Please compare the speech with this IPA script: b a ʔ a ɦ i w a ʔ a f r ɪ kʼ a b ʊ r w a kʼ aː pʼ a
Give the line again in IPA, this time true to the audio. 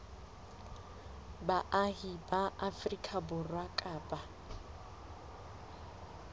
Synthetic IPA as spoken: b a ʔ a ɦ i b a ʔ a f r i kʼ a b ʊ r w a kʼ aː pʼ a

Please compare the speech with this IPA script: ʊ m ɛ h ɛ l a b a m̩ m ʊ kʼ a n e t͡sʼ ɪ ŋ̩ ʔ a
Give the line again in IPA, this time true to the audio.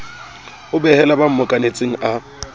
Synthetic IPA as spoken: ʊ b ɛ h ɛ l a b a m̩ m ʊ kʼ a n e t͡sʼ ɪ ŋ̩ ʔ a

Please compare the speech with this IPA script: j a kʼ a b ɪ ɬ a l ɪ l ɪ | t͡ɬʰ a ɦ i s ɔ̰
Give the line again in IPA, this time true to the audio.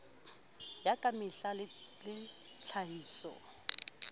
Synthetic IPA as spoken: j a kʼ a m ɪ ɬ a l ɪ l ɪ | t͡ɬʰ a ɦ iː s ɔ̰

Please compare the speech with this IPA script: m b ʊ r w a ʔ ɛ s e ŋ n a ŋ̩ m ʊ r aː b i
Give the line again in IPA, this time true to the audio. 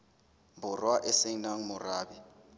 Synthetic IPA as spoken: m b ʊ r w a ʔ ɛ s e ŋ n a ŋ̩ m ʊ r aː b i

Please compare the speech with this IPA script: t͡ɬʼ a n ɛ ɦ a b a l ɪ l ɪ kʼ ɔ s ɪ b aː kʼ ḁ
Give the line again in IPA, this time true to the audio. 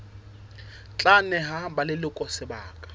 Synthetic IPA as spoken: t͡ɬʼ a n ɛ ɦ a b a l ɪ l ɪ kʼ ɔ s ɪ b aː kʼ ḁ

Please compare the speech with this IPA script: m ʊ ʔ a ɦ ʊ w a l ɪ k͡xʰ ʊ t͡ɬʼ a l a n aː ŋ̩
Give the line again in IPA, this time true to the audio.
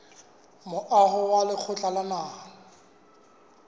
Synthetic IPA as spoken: m ʊ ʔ a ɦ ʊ w a l ɪ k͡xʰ ʊ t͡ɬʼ a l a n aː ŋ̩

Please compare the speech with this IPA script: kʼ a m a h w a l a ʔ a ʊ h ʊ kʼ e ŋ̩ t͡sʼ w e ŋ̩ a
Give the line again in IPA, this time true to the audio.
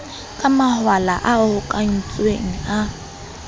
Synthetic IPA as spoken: kʼ a m a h w a l a ʔ a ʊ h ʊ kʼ a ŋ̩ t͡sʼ w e ŋ̩ a

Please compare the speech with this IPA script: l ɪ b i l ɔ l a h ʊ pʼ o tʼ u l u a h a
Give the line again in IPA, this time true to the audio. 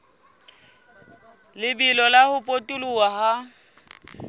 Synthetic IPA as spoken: l ɪ b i l ɔ l a h ʊ pʼ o tʼ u l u a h a

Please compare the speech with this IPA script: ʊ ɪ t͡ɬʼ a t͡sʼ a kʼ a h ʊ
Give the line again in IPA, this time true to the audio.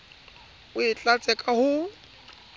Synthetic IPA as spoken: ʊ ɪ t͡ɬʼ a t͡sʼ ɛ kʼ a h ʊ

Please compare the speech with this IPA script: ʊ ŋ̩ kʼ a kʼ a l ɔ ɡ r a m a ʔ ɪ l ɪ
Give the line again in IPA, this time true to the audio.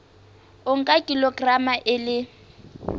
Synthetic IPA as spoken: ʊ ŋ̩ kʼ a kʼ i l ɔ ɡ r a m a ʔ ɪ l ɪ

